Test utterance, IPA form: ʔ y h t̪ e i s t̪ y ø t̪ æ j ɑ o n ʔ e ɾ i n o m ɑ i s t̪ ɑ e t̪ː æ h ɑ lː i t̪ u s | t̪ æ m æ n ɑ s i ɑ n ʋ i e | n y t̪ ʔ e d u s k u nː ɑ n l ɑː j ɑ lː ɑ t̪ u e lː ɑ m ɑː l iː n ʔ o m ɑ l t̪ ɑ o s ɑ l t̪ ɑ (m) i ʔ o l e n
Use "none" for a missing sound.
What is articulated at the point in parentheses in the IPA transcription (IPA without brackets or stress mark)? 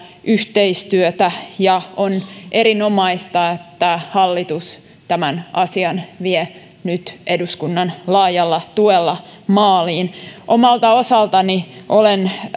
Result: n